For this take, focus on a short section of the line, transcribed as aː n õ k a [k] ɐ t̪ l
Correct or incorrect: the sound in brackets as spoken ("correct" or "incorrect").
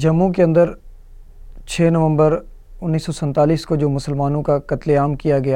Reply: correct